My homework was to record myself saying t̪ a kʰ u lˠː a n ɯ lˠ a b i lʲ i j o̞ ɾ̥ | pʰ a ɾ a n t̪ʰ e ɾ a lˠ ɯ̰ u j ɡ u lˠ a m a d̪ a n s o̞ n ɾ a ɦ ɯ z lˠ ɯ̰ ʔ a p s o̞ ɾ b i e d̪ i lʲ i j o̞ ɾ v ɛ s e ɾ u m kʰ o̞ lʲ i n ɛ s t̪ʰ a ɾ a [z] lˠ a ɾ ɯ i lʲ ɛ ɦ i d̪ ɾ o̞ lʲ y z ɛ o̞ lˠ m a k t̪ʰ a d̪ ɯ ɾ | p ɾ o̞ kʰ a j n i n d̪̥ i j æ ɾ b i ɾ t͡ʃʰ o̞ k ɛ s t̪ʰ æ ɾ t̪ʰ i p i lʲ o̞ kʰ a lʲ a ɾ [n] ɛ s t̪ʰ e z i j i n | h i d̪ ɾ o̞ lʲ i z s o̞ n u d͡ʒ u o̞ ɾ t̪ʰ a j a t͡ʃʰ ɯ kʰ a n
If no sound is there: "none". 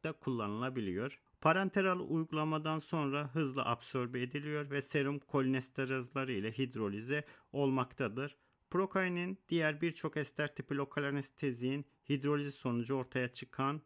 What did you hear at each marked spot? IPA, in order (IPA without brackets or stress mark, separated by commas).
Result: z, n